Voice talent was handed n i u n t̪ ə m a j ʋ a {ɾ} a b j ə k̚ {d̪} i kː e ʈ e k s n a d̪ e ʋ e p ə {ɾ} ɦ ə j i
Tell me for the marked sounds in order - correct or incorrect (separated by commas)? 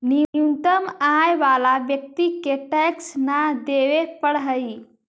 incorrect, incorrect, incorrect